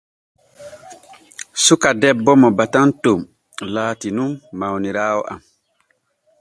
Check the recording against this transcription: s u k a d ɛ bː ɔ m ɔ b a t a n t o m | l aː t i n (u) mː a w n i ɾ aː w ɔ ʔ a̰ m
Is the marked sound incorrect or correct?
correct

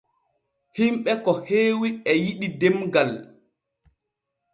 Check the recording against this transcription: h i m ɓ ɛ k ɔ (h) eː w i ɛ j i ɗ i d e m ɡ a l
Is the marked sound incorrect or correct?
correct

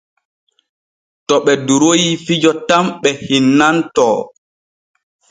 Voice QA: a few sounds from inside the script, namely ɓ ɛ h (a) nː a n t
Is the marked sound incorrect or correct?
incorrect: i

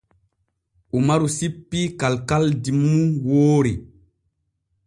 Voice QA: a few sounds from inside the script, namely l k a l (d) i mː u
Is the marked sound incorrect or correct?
correct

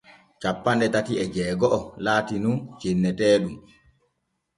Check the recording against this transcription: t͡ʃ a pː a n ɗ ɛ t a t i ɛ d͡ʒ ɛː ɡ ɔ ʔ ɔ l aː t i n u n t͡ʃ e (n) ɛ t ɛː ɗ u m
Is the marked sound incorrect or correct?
incorrect: nː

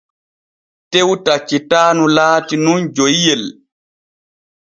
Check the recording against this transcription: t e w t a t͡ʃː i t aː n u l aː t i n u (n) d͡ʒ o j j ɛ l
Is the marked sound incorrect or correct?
correct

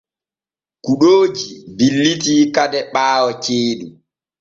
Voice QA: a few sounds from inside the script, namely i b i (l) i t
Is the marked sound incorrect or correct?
incorrect: lː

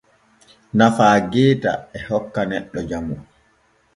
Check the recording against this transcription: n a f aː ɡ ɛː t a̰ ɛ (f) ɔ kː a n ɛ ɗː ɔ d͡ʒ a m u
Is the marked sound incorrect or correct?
incorrect: h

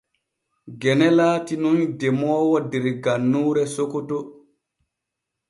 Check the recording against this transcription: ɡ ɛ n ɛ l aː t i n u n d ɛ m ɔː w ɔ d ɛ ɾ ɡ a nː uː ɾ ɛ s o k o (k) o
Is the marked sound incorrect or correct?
incorrect: t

